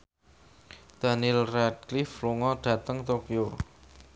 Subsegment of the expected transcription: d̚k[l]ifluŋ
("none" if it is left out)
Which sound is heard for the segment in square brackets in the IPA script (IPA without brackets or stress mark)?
l